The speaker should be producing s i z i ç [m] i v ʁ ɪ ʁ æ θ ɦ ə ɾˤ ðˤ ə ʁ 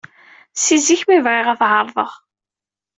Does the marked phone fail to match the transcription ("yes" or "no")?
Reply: no